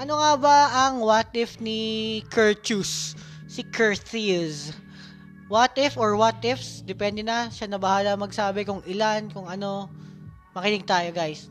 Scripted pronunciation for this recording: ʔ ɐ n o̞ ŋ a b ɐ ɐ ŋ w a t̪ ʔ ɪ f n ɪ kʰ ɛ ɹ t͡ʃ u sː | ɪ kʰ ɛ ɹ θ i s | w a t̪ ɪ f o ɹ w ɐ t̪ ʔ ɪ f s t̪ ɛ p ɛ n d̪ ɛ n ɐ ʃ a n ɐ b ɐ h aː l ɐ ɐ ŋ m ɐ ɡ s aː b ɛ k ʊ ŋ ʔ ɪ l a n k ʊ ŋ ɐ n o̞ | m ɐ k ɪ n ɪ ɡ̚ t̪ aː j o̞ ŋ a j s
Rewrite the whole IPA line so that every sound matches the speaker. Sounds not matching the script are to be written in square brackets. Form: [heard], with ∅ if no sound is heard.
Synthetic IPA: ʔ ɐ n o̞ ŋ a b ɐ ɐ ŋ w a t̪ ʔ ɪ f n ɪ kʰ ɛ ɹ t͡ʃ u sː | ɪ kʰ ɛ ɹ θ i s | w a t̪ ɪ f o ɹ w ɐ t̪ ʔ ɪ f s [d̪] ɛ p ɛ n d̪ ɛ n ɐ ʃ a n ɐ b ɐ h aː l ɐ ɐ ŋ m ɐ ɡ s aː b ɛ k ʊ ŋ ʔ ɪ l a n k ʊ ŋ ɐ n o̞ | m ɐ k ɪ n ɪ ɡ̚ t̪ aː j o̞ [ɡ] a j s